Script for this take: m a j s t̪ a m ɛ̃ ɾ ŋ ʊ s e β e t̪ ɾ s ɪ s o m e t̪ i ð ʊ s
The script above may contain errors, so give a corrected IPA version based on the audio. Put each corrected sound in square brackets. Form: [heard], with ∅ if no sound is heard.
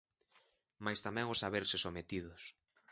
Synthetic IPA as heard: m a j s t̪ a m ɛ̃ [∅] ŋ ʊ s [a] β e [∅] ɾ s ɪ s o m e t̪ i ð ʊ s